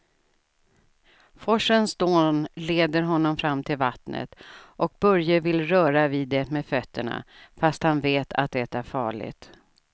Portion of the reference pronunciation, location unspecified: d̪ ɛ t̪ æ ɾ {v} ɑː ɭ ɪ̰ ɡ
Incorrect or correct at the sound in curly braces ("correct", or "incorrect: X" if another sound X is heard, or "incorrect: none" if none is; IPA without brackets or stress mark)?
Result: incorrect: f